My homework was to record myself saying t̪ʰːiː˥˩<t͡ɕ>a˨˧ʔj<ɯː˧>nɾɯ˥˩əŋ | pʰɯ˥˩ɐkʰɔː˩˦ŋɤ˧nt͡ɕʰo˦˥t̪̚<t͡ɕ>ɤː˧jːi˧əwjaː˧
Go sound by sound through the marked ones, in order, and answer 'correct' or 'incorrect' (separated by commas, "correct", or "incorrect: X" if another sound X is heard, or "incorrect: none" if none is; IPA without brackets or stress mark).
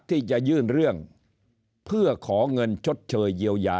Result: correct, incorrect: ɯː˥˩, incorrect: t͡ɕʰ